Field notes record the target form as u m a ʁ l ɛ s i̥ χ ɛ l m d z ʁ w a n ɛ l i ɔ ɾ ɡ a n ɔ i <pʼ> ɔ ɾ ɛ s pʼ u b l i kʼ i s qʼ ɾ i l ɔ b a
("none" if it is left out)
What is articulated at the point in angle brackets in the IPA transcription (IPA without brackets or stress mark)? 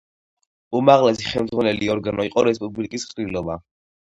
qʼ